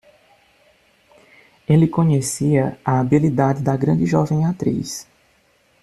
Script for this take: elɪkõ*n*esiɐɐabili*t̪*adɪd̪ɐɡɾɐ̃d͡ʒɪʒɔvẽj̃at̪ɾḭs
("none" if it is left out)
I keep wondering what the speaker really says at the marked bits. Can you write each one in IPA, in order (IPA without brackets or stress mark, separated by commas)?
ɲ, d̪